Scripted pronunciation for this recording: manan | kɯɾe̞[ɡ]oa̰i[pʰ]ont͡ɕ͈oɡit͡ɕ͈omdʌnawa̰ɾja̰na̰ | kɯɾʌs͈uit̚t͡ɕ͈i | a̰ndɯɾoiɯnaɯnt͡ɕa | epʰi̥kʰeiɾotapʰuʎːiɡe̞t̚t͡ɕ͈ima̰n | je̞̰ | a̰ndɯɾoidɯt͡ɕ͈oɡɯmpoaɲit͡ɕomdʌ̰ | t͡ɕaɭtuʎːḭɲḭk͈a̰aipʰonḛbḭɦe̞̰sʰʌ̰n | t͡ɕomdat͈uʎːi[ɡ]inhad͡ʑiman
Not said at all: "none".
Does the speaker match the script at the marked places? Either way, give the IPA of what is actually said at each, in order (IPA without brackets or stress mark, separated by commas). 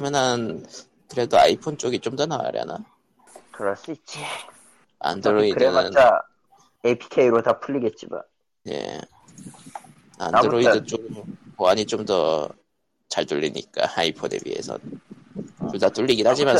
d, pʰ, ɡ